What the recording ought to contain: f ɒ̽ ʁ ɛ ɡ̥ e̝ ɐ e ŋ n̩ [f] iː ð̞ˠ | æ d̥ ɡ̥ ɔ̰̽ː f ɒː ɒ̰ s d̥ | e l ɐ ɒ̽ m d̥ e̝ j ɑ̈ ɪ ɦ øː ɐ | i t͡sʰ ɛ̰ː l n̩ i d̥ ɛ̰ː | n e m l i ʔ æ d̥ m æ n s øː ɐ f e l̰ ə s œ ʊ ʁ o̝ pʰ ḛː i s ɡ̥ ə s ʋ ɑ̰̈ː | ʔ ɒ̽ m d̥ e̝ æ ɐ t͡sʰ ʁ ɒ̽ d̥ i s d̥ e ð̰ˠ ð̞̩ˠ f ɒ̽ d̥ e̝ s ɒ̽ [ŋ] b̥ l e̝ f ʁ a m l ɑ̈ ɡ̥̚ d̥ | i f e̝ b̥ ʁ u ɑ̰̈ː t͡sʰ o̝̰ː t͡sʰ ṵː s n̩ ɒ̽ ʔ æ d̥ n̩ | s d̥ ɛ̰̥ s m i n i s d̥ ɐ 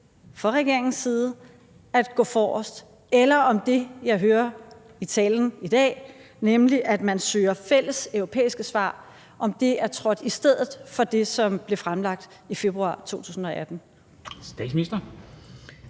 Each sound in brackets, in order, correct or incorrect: incorrect, incorrect

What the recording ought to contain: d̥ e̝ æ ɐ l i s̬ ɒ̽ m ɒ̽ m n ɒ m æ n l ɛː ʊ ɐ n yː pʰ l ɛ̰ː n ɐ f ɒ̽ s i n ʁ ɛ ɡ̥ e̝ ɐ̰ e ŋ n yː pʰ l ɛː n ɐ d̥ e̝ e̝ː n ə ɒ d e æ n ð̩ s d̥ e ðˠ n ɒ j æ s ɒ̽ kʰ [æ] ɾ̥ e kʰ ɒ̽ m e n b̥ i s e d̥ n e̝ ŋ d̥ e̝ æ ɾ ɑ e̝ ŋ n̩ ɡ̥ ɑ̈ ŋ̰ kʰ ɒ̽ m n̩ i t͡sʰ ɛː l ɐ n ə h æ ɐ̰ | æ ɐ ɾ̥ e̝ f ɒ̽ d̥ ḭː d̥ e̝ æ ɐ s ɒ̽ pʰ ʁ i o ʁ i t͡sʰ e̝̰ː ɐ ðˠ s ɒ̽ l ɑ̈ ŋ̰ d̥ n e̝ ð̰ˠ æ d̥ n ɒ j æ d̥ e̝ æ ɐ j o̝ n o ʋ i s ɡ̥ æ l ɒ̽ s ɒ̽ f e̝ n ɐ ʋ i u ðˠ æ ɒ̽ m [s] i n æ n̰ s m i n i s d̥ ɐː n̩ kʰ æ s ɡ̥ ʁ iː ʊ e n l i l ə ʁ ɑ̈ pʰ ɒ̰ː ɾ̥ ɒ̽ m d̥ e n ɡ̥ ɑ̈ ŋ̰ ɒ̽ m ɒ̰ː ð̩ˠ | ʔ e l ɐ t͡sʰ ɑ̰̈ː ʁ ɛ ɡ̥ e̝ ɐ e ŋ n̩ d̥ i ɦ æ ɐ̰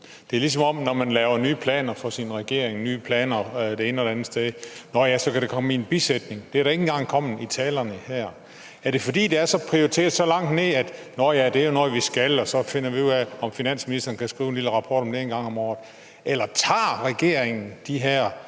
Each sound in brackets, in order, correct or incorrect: correct, incorrect

